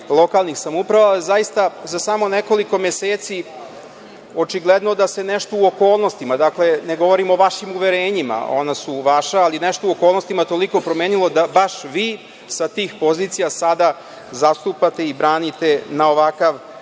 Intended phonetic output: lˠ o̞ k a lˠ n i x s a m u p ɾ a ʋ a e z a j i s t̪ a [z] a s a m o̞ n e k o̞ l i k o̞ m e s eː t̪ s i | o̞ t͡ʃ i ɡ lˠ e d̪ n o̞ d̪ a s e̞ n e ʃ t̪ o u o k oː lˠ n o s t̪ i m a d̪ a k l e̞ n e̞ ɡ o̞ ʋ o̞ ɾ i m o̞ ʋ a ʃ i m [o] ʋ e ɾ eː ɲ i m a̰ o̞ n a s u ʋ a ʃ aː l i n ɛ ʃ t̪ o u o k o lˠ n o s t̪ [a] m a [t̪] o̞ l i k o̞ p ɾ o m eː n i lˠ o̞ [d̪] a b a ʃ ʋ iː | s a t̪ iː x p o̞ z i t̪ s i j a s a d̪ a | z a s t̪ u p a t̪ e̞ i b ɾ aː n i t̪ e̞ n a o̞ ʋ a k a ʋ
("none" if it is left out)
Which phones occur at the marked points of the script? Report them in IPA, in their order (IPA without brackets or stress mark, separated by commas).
z, u, i, t̪, d̪